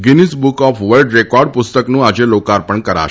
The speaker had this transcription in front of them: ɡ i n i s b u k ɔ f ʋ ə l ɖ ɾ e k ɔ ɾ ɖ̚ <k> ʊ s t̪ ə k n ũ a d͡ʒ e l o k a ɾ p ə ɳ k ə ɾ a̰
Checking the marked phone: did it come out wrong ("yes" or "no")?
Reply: yes